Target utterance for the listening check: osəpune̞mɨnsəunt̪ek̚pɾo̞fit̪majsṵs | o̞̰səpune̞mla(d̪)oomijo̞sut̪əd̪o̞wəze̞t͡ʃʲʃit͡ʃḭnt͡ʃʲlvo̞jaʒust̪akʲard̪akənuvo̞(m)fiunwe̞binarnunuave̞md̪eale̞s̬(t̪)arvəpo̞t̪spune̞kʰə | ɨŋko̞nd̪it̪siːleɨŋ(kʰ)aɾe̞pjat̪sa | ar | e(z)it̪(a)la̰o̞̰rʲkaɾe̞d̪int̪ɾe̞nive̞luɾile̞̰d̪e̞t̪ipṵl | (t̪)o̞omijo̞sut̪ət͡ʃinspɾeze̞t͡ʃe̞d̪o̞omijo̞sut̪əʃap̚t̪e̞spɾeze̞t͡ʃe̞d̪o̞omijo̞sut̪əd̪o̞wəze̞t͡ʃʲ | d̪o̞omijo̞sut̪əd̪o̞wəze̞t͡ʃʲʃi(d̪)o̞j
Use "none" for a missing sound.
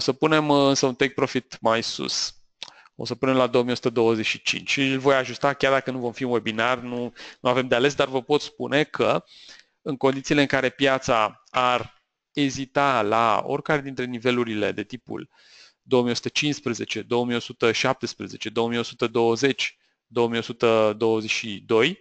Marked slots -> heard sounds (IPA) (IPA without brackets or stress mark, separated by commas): d̪, m, d̪, k, z, a, d̪, d̪